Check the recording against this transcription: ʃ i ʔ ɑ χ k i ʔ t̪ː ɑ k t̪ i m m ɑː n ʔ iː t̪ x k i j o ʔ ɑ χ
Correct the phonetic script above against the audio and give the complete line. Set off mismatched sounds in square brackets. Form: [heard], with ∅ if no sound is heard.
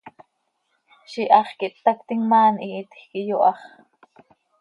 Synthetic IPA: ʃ i ʔ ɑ χ k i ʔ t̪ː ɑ k t̪ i [ŋ] m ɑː n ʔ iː t̪ x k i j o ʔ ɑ χ